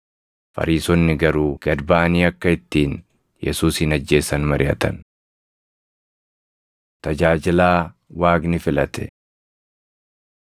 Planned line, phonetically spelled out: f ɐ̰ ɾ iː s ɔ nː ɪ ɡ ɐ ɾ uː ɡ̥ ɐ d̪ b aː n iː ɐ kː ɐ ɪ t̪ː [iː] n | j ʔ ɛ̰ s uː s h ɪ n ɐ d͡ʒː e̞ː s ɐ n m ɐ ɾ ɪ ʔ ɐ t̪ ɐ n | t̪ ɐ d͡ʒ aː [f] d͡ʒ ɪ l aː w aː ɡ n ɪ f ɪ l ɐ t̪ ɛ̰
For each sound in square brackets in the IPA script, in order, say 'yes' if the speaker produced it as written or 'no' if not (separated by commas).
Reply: yes, no